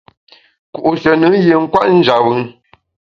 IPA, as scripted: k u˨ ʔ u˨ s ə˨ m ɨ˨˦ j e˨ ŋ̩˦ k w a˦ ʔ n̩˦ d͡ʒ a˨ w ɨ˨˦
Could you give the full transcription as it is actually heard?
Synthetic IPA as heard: k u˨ ʔ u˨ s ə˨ n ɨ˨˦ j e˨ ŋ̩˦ k w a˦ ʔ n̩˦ d͡ʒ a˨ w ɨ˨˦